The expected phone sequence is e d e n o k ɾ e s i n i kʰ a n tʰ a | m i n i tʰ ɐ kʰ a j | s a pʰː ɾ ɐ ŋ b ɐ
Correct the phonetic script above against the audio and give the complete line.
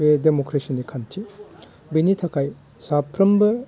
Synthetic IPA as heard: e d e m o k ɾ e s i n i kʰ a n tʰ i | b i n i tʰ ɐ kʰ a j | s a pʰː ɾ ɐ m b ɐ